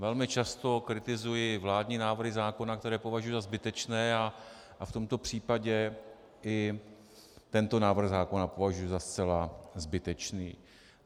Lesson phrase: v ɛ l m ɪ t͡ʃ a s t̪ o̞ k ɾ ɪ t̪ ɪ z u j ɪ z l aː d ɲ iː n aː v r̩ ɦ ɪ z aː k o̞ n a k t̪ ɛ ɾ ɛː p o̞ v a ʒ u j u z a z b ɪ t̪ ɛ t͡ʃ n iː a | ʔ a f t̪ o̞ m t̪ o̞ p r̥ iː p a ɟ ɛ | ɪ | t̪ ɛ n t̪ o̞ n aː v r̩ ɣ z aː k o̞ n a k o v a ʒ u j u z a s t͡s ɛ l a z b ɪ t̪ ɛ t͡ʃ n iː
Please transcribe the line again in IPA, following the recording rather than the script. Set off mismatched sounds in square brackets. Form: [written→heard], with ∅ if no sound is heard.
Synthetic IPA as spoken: v ɛ l m ɪ t͡ʃ a s t̪ o̞ k ɾ ɪ t̪ ɪ z u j ɪ [z→v] l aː d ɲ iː n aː v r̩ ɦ ɪ z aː k o̞ n a k t̪ ɛ ɾ ɛː p o̞ v a ʒ u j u z a z b ɪ t̪ ɛ t͡ʃ n [iː→ɛː] a | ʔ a f t̪ o̞ m t̪ o̞ p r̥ iː p a ɟ ɛ | ɪ | t̪ ɛ n t̪ o̞ n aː v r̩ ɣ z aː k o̞ n a [k→p] o v a ʒ u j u z a s t͡s ɛ l a z b ɪ t̪ ɛ t͡ʃ n iː